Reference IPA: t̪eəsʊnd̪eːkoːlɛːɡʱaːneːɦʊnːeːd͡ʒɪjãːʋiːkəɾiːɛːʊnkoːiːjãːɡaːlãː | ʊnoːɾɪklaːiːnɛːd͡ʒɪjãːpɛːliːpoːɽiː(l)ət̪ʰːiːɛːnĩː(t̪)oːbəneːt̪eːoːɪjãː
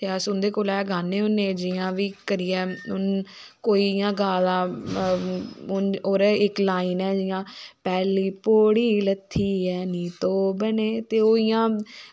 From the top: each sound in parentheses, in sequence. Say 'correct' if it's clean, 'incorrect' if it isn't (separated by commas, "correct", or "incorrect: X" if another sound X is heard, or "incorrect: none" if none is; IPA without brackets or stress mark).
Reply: correct, correct